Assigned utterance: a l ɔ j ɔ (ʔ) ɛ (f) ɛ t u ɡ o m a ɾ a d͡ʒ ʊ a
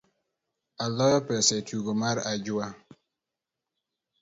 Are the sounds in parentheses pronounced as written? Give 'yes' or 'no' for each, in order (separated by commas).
no, no